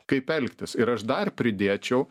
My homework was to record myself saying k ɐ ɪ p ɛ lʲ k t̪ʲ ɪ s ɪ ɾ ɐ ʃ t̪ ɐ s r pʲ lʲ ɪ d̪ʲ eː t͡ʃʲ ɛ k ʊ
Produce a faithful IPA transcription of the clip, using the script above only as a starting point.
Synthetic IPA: k ɐ ɪ p ɛ lʲ k t̪ʲ ɪ s ɪ ɾ ɐ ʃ d̪ ɐ r pʲ ɾʲ ɪ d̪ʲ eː t͡ʃʲ ɛ ʊ